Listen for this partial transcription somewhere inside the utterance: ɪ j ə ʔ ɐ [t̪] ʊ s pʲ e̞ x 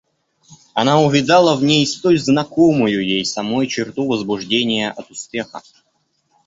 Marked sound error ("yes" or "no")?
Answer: no